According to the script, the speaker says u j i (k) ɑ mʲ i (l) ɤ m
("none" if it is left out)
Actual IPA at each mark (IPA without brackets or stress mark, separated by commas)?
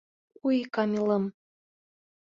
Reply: k, l